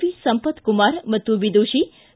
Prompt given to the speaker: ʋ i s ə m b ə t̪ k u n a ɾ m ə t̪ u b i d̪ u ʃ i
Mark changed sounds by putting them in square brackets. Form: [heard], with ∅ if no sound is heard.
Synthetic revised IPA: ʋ i s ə m [p] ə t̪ k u [m] a ɾ m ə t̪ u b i d̪ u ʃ i